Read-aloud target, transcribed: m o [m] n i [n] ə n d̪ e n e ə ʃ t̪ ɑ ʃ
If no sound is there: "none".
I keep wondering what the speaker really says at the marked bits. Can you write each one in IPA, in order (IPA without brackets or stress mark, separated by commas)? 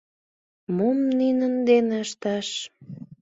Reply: m, n